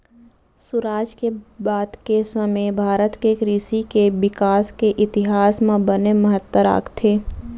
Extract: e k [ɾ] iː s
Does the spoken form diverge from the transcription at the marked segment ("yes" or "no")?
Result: no